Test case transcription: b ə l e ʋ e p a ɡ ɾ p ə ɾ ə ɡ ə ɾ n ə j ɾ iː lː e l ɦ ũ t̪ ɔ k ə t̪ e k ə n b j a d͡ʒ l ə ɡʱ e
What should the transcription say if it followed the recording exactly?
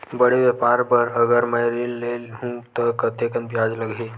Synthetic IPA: b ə ɽ e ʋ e p a ɾ p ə ɾ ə ɡ ə ɾ m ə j ɾ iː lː e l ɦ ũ t̪ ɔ k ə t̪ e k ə n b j a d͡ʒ l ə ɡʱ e